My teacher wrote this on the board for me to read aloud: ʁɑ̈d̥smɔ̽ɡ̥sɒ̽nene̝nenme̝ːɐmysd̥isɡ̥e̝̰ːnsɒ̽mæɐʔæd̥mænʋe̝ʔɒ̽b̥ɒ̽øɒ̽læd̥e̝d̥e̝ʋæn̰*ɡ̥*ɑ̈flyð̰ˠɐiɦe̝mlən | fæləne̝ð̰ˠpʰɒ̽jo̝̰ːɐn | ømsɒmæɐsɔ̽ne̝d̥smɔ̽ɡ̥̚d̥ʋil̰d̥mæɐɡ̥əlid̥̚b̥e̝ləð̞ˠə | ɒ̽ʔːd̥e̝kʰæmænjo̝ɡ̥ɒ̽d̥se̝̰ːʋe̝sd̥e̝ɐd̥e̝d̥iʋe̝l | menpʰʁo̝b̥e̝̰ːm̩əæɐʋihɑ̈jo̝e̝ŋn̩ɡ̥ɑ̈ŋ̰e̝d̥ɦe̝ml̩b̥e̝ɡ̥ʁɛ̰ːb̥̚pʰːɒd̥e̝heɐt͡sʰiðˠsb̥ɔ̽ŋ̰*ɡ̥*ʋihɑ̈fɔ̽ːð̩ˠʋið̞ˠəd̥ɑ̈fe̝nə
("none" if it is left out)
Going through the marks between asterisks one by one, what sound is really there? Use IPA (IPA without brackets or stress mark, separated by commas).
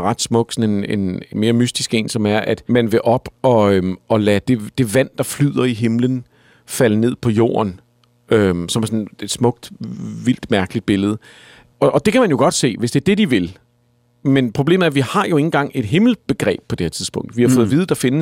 d̥, d̥